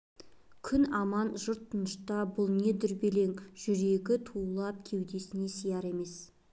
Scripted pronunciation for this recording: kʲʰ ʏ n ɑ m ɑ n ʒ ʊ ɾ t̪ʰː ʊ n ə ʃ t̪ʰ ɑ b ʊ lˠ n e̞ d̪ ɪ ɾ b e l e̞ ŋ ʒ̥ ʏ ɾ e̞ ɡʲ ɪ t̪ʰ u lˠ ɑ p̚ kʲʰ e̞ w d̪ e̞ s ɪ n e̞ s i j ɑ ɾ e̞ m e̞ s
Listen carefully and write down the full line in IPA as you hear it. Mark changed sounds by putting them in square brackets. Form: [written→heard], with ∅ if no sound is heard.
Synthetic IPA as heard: kʲʰ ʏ n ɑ m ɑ n ʒ ʊ ɾ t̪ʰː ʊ n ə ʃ [t̪ʰ→t̪] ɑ b ʊ lˠ n e̞ d̪ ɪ ɾ b e l e̞ ŋ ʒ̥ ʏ ɾ e̞ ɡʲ ɪ t̪ʰ u lˠ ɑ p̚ kʲʰ e̞ w d̪ e̞ s ɪ n e̞ s i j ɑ ɾ e̞ m e̞ s

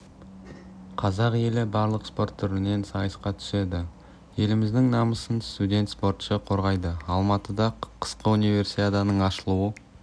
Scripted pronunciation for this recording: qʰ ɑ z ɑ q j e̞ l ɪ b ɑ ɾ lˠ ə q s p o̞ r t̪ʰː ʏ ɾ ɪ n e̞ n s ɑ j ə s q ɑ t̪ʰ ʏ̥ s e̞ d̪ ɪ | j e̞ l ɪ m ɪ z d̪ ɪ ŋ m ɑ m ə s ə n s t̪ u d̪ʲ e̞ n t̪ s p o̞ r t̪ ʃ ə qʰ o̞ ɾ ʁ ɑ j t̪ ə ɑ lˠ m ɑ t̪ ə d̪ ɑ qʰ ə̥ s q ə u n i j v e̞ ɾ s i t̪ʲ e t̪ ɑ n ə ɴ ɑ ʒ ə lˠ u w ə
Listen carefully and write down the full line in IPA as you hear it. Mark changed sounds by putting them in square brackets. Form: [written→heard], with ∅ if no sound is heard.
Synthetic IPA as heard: qʰ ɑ z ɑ q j e̞ l ɪ b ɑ ɾ lˠ ə q s p o̞ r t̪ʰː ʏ ɾ ɪ n e̞ n s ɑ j ə s q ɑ t̪ʰ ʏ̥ s e̞ d̪ ɪ | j e̞ l ɪ m ɪ z d̪ ɪ ŋ [m→n] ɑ m ə s ə n s t̪ u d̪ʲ e̞ n t̪ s p o̞ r t̪ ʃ ə qʰ o̞ ɾ ʁ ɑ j [t̪→d̪] ə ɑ lˠ m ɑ t̪ ə d̪ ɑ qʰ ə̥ s q ə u n i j v e̞ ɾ s i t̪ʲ e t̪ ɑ n ə ɴ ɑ [ʒ→ʃ] ə lˠ u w ə

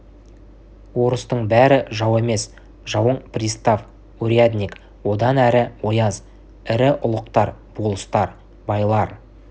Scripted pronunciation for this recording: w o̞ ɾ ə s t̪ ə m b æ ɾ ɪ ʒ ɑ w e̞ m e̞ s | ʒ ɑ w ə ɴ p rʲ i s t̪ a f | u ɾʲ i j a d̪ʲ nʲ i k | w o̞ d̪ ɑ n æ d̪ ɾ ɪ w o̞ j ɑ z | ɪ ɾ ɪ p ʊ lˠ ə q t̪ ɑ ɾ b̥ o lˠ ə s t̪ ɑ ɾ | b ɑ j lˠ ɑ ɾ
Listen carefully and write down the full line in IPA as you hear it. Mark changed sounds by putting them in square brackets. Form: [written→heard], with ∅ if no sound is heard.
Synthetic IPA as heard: w o̞ ɾ ə s t̪ ə [m→ɴ] b æ ɾ ɪ ʒ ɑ w e̞ m e̞ s | ʒ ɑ w ə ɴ p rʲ i s t̪ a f | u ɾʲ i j a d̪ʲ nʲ i k | w o̞ d̪ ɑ n æ [d̪→∅] ɾ ɪ w o̞ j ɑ z | ɪ ɾ ɪ [p→ʔ] ʊ lˠ ə q t̪ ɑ ɾ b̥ o lˠ ə s t̪ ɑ ɾ | b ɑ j lˠ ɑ ɾ

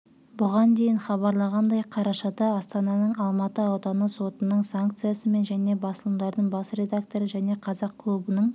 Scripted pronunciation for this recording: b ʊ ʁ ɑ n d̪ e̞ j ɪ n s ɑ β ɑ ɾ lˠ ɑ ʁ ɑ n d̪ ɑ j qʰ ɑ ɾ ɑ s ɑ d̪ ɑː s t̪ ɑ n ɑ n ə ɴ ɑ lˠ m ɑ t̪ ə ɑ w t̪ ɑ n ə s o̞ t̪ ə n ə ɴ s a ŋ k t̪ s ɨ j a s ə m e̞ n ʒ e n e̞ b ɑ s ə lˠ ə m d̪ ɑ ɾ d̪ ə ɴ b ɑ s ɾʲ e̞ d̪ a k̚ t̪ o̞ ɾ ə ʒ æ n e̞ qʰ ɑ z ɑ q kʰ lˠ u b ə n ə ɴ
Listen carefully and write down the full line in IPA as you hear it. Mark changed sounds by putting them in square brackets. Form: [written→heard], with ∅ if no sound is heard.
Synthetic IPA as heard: b ʊ ʁ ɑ n d̪ e̞ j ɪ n [s→χ] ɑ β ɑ ɾ lˠ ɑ ʁ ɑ n d̪ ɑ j qʰ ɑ ɾ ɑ [s→ʃ] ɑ d̪ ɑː s t̪ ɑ n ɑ n ə ɴ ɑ lˠ m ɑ t̪ ə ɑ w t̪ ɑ n ə s o̞ t̪ ə n ə ɴ s a ŋ k t̪ s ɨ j a s ə m e̞ n ʒ [e→æ] n e̞ b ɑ s ə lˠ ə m d̪ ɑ ɾ d̪ ə ɴ b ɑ s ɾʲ e̞ d̪ a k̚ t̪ o̞ ɾ ə ʒ æ n e̞ qʰ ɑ z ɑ q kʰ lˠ u b ə n ə ɴ

